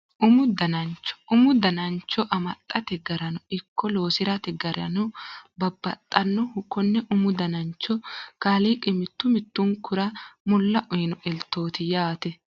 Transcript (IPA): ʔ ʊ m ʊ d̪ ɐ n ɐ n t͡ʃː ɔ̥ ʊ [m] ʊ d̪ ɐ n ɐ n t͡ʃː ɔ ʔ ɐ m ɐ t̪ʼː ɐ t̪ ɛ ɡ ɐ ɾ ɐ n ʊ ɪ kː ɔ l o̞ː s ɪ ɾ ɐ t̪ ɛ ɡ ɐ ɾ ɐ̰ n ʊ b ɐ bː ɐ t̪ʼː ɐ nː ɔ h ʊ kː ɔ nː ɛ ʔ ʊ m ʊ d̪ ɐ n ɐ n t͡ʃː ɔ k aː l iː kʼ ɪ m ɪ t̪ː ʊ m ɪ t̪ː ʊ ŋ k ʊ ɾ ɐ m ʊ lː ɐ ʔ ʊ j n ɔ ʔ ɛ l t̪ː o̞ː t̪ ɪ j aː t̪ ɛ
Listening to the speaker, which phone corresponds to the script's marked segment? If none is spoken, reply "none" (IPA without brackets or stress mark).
m